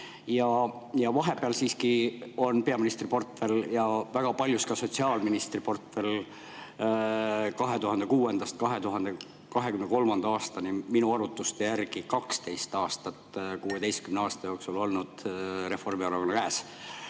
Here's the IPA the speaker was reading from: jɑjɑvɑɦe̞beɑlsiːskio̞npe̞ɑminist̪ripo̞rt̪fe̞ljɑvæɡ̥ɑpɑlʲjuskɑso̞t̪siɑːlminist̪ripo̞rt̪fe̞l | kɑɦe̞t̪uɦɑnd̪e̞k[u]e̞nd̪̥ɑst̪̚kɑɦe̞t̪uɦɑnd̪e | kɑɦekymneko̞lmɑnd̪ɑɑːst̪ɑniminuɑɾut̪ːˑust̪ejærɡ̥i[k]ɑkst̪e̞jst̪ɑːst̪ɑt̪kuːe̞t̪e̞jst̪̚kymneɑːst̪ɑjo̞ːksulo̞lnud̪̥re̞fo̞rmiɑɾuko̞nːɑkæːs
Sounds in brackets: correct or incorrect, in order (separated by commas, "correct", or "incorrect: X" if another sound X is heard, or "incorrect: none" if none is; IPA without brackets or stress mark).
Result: incorrect: uː, correct